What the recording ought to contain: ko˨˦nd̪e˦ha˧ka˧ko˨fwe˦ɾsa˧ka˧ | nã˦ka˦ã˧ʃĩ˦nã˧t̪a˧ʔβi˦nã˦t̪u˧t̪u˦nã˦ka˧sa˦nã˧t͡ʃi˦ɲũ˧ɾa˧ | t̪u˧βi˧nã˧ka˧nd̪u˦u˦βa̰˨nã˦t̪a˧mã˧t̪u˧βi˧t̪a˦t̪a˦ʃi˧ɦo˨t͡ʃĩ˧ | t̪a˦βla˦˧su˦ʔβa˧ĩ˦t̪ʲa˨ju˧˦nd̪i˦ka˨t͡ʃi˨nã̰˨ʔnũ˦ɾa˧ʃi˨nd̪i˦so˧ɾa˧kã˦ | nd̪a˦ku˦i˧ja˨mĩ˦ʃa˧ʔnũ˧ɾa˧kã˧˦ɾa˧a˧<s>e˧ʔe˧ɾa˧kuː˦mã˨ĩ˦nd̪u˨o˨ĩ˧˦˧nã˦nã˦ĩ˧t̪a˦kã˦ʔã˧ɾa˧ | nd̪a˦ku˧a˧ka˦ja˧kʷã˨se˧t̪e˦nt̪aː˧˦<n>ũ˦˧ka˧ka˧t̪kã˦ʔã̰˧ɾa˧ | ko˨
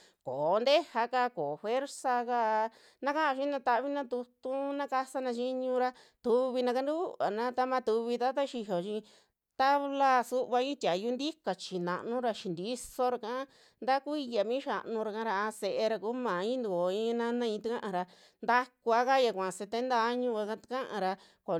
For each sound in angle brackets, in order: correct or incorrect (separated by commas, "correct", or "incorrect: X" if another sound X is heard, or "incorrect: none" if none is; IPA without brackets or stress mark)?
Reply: correct, incorrect: ɲ